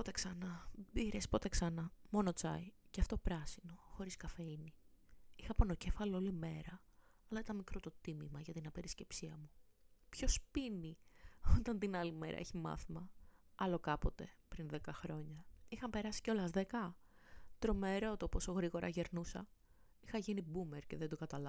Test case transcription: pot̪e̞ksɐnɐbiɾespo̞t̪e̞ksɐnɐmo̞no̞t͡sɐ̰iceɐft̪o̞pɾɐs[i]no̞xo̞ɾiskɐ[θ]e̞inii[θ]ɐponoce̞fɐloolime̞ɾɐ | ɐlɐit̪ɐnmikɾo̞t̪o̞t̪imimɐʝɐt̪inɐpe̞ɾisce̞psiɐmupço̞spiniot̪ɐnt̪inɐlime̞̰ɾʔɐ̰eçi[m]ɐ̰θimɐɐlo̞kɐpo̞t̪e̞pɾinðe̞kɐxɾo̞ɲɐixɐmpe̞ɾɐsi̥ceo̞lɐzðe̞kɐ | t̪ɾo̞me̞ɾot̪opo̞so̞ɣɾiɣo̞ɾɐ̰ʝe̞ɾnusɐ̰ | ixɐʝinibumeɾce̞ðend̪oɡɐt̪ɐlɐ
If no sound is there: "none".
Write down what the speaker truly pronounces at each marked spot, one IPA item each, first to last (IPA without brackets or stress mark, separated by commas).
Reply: i, f, x, m